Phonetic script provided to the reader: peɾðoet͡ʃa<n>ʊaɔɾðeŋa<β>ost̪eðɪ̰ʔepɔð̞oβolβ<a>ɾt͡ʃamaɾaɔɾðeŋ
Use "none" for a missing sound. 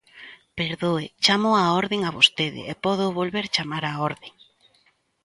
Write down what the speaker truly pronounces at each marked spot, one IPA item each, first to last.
m, β, e

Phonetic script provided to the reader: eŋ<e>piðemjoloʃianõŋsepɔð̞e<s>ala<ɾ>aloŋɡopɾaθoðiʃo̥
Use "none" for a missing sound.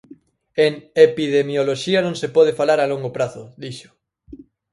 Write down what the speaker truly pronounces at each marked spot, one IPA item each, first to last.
e, f, ɾ

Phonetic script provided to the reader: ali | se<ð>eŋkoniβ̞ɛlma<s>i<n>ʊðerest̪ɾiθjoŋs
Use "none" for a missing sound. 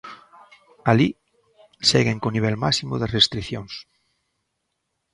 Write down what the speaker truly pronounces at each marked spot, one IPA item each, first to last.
ɣ, s, m

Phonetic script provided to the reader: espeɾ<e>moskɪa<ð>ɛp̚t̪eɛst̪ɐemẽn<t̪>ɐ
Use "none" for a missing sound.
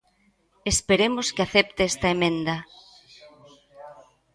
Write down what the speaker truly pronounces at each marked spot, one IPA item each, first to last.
e, θ, d̪

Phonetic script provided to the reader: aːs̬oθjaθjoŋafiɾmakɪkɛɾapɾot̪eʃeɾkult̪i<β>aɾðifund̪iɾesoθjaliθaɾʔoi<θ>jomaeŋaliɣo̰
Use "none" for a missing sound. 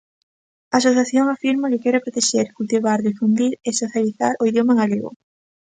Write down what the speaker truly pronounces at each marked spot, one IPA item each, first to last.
β, ð

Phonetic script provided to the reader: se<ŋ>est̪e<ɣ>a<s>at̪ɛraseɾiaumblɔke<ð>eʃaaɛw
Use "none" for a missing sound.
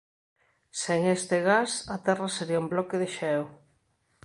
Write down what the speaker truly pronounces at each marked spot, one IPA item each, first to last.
ŋ, ɣ, s, ð

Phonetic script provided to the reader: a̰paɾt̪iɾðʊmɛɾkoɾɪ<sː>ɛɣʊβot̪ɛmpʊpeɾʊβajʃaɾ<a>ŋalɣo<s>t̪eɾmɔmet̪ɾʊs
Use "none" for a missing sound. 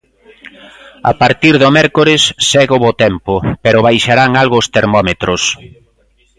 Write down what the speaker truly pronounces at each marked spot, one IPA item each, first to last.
sː, a, s

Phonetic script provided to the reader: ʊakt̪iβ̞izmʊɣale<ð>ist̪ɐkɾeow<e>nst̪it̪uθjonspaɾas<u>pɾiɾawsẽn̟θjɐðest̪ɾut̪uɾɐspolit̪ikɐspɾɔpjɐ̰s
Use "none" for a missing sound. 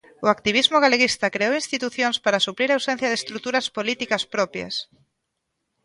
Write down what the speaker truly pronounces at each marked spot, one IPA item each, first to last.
ɣ, i, u

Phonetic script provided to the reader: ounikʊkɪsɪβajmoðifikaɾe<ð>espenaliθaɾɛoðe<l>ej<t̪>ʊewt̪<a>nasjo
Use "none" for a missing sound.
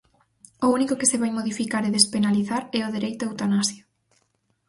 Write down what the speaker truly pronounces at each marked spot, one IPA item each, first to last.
ð, ɾ, t̪, a

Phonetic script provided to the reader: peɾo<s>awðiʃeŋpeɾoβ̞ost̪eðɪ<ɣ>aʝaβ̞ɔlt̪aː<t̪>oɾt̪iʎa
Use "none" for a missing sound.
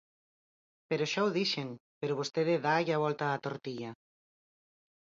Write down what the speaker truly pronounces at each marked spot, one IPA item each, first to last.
ʃ, ð, t̪

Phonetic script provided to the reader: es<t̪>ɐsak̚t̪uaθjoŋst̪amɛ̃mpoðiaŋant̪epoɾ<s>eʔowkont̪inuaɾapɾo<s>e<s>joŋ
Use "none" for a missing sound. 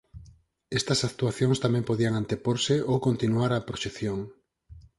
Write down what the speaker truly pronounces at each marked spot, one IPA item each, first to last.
t̪, s, ʃ, θ

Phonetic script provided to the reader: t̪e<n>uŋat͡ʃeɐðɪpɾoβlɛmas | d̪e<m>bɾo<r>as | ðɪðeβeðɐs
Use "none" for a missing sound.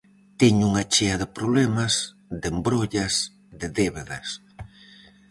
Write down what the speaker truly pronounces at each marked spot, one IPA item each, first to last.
ɲ, m, ʎ

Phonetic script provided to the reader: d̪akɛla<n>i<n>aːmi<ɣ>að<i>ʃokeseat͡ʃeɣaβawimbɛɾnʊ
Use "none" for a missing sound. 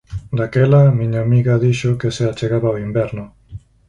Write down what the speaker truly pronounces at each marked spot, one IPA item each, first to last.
m, ɲ, ɣ, i

